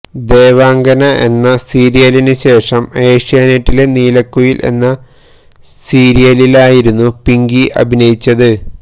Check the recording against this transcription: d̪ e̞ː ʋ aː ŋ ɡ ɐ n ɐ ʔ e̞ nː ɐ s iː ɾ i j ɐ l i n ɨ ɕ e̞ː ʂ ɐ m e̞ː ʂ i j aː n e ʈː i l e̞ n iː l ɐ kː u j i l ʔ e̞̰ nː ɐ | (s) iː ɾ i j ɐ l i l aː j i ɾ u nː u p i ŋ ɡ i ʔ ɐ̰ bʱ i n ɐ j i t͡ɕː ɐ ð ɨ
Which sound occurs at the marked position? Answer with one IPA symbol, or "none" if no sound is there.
s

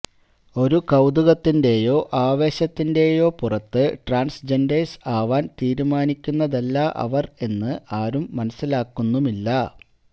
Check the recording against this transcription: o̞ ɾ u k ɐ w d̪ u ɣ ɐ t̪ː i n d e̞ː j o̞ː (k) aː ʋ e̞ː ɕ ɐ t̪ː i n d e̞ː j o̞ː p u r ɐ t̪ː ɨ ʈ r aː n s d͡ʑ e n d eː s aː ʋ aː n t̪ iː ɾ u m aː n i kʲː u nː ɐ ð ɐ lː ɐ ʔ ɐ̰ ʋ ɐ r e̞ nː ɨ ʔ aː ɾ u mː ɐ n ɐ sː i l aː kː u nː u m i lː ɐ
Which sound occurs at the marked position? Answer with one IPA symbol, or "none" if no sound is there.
ʔ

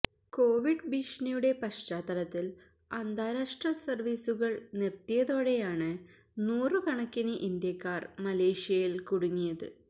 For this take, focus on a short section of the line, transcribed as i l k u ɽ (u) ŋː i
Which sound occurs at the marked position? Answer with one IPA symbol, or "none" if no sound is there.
u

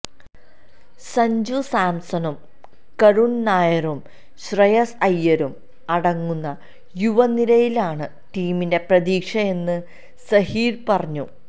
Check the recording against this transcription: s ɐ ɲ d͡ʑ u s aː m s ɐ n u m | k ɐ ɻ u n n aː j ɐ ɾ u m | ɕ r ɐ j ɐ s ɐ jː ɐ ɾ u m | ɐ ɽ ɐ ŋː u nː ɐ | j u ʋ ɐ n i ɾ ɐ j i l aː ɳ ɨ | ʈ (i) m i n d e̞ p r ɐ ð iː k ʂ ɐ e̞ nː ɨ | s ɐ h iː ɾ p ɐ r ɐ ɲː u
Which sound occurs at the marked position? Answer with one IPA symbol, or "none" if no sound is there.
iː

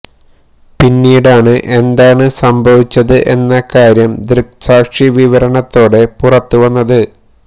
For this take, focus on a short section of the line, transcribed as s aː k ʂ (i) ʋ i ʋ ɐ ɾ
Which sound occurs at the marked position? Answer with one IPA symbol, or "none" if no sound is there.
i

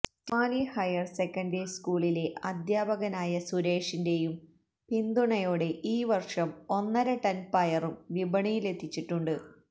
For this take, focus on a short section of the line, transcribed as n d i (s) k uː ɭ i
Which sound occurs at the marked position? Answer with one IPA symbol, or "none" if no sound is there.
s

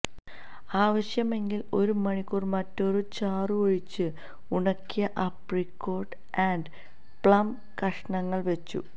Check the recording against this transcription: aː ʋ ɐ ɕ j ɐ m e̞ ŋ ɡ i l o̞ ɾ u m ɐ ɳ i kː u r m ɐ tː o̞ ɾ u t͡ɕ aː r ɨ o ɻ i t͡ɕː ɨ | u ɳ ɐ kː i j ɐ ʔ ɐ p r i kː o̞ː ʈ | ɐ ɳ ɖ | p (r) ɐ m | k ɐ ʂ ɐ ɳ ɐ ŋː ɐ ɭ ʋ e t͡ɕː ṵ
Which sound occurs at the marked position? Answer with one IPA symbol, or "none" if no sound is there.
ɭ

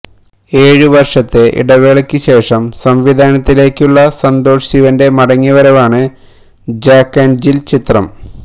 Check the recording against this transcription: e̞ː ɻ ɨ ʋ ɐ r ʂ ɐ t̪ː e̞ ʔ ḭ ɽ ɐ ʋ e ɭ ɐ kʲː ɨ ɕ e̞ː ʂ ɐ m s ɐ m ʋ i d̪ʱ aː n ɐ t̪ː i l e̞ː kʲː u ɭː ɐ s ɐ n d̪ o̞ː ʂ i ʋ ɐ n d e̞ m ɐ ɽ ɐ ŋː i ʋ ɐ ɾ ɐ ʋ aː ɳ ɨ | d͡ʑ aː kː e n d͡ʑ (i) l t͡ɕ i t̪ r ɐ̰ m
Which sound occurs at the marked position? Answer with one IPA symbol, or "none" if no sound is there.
i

